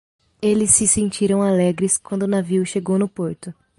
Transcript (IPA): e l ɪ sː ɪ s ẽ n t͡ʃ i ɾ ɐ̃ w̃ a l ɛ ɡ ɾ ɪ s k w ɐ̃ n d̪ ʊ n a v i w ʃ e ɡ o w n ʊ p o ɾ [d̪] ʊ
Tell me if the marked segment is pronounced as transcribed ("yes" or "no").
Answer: no